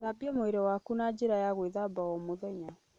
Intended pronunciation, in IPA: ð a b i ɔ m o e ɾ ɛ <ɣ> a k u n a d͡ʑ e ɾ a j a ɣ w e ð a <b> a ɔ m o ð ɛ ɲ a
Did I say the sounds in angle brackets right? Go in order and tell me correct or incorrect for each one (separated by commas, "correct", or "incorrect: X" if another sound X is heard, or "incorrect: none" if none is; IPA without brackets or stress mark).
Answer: incorrect: w, correct